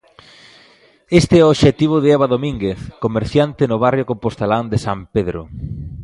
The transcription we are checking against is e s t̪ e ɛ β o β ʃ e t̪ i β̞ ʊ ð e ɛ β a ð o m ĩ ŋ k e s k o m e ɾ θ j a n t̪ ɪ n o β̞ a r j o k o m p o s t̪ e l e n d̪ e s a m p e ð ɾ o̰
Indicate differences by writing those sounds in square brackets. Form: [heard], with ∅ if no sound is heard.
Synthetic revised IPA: e s t̪ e ɛ [∅] o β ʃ e t̪ i β̞ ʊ ð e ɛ β a ð o m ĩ ŋ [ɡ] e [θ] k o m e ɾ θ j a n t̪ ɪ n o β̞ a r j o k o m p o s t̪ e l [a] n d̪ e s a m p e ð ɾ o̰

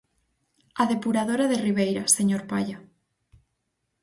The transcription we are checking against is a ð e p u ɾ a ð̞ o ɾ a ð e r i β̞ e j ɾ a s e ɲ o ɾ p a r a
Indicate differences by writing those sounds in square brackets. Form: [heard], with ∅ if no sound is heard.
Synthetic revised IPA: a ð e p u ɾ a ð̞ o ɾ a ð e r i β̞ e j ɾ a s e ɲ o ɾ p a [ʎ] a

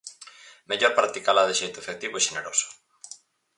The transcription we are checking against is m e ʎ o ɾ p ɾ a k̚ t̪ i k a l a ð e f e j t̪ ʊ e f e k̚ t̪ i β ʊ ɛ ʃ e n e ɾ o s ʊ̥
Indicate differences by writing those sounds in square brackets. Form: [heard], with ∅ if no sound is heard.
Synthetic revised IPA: m e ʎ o ɾ p ɾ a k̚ t̪ i k a l a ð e [ʃ] e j t̪ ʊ e f e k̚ t̪ i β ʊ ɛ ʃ e n e ɾ o s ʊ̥

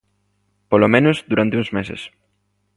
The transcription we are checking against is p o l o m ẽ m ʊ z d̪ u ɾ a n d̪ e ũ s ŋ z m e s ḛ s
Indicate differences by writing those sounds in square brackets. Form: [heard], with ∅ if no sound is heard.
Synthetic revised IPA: p o l o m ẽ [n] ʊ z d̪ u ɾ a n [t̪] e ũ [∅] ŋ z m e s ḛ s

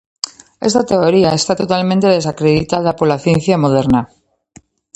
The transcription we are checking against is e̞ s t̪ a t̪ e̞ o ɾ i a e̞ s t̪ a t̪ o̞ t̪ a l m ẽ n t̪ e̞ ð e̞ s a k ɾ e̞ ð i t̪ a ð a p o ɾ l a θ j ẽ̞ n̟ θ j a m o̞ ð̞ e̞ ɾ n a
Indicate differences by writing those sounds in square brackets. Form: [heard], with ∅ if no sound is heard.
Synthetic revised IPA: e̞ s t̪ a t̪ e̞ o ɾ i a e̞ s t̪ a t̪ o̞ t̪ a l m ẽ n t̪ e̞ ð e̞ s a k ɾ e̞ ð i t̪ a ð a p o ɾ l a θ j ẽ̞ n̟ θ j a m o̞ ð̞ e̞ ɾ n a

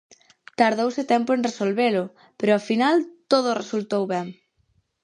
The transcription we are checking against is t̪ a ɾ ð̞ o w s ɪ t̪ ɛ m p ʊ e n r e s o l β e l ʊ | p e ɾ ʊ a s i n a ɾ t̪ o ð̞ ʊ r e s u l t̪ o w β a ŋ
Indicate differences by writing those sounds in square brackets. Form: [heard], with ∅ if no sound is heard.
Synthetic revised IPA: t̪ a ɾ ð̞ o w s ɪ t̪ ɛ m p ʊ e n r e s o l β e l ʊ | p e ɾ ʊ a [f] i n a [l] t̪ o ð̞ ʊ r e s u l t̪ o w β [ɛ] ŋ

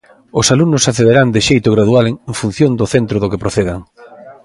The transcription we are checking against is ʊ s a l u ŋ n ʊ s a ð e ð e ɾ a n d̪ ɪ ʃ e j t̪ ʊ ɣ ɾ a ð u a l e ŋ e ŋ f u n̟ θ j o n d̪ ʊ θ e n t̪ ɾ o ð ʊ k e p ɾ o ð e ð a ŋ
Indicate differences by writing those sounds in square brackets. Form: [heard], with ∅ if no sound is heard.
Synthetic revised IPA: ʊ s a l u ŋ n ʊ s a [θ] e ð e ɾ a n d̪ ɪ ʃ e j t̪ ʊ ɣ ɾ a ð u a l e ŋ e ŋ f u n̟ θ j o n d̪ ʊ θ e n t̪ ɾ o ð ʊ k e p ɾ o [θ] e ð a ŋ

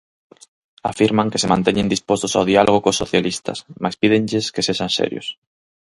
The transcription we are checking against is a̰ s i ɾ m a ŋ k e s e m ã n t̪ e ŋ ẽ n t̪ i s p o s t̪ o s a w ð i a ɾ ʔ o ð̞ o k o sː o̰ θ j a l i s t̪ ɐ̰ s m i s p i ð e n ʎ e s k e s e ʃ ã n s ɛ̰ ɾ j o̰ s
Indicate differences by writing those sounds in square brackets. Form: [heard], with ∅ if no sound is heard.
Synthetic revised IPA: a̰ [f] i ɾ m a ŋ k e s e m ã n t̪ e [ɲ] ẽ n [d̪] i s p o s t̪ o s a w ð i a [l] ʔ o [ɣ̞] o k o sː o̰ θ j a l i s t̪ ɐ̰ s m [a] s p i ð e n ʎ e s k e s e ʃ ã n s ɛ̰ ɾ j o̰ s

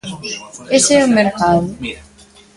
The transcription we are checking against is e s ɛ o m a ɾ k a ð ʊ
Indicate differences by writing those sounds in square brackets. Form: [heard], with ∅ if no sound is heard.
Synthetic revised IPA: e s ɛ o m [e] ɾ k a ð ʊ

